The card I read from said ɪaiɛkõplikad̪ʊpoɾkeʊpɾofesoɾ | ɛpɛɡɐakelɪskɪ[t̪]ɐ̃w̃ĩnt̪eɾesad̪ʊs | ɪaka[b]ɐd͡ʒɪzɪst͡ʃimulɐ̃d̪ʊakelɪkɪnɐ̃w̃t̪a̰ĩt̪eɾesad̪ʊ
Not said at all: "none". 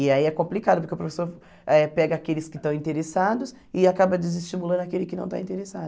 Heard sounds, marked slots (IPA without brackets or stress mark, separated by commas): t̪, b